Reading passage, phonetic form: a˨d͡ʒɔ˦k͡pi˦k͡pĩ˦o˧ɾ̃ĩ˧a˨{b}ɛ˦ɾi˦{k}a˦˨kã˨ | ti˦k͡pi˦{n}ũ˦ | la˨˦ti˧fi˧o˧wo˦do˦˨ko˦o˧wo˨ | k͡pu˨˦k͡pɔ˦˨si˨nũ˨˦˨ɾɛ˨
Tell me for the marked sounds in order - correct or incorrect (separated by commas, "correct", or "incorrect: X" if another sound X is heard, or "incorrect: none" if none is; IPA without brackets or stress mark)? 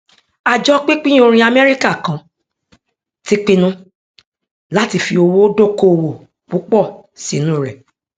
incorrect: m, correct, correct